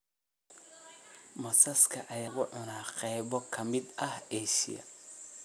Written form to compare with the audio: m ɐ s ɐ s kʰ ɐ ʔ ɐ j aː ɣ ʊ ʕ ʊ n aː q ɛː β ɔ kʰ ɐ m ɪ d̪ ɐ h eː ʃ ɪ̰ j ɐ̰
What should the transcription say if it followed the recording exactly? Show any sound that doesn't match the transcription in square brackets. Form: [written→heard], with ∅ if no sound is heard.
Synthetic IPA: m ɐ s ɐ s kʰ ɐ ʔ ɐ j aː ɣ ʊ ʕ ʊ n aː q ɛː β ɔ kʰ ɐ m ɪ d̪ ɐ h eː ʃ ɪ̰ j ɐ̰